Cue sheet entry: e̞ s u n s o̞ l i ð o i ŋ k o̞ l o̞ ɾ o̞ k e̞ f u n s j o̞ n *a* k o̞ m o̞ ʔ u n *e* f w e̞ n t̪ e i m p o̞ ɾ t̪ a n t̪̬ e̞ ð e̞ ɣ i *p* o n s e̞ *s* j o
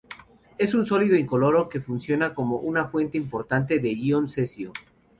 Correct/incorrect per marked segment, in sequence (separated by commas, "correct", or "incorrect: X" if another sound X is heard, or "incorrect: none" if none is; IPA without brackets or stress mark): correct, incorrect: a, incorrect: none, correct